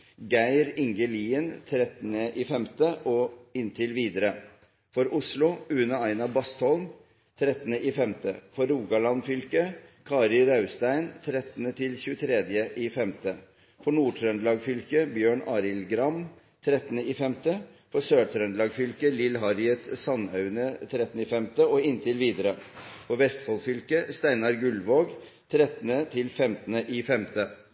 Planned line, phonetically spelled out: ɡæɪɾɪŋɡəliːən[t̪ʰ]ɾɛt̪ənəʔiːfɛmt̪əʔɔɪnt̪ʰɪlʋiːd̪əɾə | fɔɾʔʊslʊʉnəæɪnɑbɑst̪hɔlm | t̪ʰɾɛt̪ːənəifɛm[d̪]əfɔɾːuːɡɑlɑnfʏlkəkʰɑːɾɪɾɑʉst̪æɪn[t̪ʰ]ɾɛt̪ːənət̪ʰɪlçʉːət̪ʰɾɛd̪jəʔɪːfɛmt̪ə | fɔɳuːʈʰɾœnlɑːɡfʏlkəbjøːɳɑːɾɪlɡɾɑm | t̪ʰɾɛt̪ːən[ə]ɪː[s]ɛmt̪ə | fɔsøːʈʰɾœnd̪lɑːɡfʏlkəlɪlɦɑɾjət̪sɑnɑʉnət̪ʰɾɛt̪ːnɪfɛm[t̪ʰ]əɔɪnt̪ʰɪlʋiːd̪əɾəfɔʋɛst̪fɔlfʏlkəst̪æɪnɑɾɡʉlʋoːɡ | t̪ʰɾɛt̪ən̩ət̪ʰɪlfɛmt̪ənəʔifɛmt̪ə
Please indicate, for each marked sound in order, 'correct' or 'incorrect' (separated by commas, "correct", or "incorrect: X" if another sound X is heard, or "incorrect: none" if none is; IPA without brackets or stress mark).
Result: correct, incorrect: t̪, correct, correct, incorrect: f, incorrect: t̪